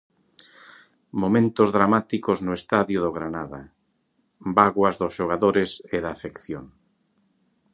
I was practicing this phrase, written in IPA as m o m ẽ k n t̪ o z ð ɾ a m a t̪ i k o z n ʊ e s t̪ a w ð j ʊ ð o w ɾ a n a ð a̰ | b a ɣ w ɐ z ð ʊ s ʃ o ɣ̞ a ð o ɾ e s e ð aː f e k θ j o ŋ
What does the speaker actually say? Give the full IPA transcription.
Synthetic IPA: m o m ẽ n t̪ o z ð ɾ a m a t̪ i k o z n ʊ e s t̪ a ð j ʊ ð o ɣ ɾ a n a ð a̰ | b a ɣ w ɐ z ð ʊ s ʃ o ɣ̞ a ð o ɾ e s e ð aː f e k θ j o ŋ